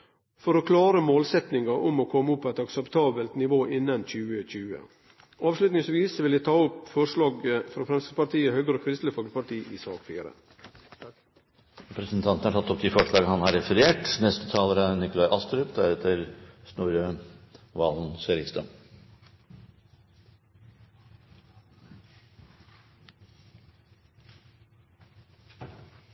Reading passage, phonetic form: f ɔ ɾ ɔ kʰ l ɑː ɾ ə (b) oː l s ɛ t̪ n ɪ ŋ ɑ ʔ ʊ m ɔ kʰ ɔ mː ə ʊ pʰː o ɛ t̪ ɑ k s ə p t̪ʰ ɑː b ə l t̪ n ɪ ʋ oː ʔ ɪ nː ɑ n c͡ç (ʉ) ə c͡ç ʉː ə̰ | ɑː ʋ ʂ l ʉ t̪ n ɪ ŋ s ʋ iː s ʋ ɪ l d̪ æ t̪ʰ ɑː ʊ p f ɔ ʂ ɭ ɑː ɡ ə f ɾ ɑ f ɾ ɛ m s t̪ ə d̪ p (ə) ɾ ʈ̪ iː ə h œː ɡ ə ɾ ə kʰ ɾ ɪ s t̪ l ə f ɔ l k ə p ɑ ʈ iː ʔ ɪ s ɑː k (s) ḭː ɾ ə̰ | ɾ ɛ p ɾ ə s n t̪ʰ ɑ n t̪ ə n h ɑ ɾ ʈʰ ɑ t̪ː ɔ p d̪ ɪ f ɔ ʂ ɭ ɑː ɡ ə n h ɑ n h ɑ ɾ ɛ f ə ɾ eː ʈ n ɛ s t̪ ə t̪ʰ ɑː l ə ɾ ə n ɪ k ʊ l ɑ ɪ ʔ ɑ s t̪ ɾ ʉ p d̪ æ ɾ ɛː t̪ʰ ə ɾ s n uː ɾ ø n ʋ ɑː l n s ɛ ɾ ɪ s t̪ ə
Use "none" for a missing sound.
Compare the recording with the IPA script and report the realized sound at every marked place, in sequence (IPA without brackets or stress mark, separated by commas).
m, ʉː, ɑ, f